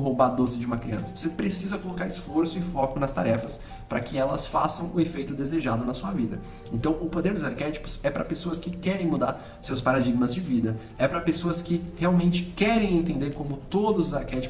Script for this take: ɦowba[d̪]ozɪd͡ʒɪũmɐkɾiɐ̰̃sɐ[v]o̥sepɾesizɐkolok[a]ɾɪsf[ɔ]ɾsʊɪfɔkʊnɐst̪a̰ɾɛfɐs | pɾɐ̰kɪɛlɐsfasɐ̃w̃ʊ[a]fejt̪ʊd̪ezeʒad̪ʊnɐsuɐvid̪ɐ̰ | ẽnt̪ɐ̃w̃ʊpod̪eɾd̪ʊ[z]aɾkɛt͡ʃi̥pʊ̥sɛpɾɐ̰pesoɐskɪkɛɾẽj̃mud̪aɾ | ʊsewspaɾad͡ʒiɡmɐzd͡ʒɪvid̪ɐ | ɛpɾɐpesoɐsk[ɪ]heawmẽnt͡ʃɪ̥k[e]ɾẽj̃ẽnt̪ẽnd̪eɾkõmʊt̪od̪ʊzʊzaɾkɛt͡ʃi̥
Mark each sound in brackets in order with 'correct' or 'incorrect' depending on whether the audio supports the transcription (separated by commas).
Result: correct, correct, correct, incorrect, incorrect, correct, correct, incorrect